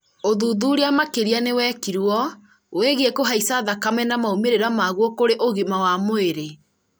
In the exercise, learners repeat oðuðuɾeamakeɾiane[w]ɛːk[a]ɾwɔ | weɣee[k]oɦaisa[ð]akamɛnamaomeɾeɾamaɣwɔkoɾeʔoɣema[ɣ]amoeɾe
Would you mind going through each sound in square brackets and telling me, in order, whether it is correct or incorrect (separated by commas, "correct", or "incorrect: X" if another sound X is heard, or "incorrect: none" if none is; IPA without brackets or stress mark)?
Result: correct, incorrect: i, correct, correct, incorrect: w